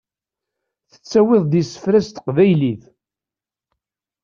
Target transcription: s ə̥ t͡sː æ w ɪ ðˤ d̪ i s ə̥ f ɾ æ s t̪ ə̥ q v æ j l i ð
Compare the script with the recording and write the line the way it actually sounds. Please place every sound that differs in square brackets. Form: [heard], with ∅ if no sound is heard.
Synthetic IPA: [θ] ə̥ t͡sː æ w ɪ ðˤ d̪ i s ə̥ f ɾ æ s t̪ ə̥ q v æ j l i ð